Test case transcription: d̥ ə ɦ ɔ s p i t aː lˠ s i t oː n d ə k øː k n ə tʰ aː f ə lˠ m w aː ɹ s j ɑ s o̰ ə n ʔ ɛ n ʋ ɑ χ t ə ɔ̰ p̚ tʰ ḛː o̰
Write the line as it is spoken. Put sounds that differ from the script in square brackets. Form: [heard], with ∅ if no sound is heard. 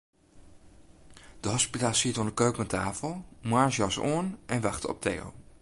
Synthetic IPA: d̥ ə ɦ ɔ s p i t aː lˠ s i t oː n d ə k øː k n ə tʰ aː f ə lˠ m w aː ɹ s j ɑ s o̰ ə n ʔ ɛ n ʋ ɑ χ t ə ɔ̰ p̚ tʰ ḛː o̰